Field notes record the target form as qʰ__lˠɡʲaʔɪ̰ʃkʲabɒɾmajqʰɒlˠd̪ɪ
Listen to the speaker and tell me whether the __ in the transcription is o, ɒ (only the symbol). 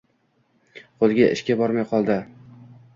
o